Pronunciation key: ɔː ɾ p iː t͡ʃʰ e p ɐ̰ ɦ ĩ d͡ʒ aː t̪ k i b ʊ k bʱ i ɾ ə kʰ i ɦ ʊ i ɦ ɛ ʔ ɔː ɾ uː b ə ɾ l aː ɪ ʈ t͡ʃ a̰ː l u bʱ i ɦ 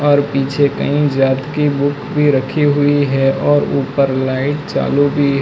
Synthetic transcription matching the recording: ɔː ɾ p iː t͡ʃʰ e k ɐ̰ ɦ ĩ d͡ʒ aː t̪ k i b ʊ k bʱ i ɾ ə kʰ i ɦ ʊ i ɦ ɛ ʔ ɔː ɾ uː p ə ɾ l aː ɪ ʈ t͡ʃ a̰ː l u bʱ i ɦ